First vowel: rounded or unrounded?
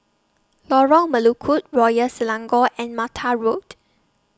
rounded